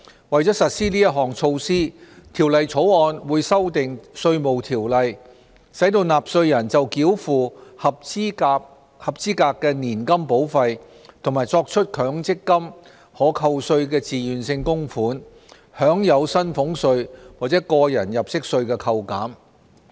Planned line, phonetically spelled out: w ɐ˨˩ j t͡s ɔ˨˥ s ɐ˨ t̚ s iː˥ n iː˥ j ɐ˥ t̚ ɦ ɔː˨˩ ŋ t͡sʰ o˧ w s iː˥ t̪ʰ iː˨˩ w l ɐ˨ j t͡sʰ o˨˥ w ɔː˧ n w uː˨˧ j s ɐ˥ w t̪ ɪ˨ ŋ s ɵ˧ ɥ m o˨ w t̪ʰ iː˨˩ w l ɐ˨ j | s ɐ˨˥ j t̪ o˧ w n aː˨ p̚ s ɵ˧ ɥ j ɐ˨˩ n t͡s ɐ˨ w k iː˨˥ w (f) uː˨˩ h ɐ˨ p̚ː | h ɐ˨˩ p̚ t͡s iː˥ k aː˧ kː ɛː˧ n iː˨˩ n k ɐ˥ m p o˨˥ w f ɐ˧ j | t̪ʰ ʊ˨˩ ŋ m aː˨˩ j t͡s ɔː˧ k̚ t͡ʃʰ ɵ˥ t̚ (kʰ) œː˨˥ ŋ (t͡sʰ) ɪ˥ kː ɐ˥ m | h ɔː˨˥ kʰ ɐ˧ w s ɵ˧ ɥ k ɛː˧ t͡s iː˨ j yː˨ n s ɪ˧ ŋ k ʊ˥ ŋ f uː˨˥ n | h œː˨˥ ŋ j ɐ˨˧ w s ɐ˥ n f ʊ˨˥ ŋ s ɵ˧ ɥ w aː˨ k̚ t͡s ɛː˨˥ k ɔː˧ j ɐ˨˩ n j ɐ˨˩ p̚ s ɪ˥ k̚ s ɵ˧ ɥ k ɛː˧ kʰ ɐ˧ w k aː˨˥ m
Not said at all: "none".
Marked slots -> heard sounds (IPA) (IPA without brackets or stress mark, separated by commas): f, kʰ, t͡s